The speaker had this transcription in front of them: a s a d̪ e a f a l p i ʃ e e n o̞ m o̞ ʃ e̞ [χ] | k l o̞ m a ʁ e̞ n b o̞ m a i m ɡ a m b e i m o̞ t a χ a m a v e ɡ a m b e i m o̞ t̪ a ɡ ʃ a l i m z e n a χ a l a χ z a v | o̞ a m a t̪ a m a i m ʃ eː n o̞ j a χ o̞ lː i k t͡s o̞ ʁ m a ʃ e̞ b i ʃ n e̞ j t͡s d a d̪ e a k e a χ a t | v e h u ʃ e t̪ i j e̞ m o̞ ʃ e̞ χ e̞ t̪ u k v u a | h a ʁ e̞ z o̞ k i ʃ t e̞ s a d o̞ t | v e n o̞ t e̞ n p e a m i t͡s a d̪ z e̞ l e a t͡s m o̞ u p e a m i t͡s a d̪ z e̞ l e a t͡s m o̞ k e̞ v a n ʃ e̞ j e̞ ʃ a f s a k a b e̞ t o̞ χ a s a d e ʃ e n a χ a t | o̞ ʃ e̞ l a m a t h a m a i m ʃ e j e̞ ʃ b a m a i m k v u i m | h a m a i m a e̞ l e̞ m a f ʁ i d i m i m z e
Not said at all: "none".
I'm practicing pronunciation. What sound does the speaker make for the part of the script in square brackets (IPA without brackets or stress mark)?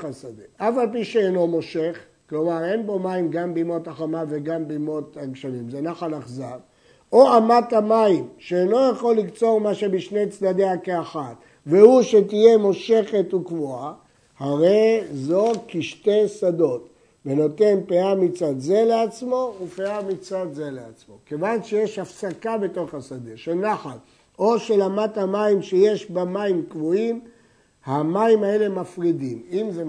χ